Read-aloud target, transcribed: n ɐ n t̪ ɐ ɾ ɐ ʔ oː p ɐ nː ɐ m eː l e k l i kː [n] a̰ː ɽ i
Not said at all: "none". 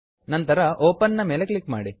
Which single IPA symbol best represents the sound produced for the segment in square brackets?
m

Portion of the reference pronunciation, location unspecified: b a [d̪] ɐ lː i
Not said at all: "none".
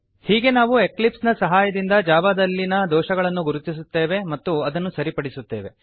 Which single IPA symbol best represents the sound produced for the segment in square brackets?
d̪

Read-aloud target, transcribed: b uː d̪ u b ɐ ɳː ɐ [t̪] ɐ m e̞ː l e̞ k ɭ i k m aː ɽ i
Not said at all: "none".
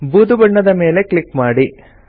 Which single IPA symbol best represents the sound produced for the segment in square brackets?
d̪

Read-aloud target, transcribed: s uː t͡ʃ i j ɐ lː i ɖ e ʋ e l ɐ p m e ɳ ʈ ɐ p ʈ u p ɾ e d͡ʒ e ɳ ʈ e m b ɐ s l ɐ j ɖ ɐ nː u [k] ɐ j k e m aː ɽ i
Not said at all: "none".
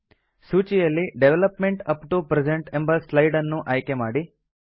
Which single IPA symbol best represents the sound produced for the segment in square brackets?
ʔ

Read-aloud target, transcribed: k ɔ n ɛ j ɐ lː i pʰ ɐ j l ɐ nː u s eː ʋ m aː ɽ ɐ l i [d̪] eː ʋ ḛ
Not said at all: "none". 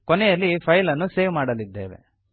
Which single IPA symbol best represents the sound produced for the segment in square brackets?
d̪ː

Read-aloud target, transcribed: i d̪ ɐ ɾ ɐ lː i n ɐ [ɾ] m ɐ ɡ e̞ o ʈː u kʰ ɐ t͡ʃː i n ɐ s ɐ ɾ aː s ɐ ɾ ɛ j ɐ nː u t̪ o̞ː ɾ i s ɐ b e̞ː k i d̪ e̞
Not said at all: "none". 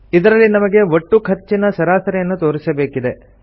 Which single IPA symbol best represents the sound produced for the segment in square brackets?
none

